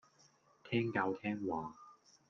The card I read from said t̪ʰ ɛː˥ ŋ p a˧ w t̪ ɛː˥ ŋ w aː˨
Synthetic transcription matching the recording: t̪ʰ ɛː˥ ŋ k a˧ w t̪ʰ ɛː˥ ŋ w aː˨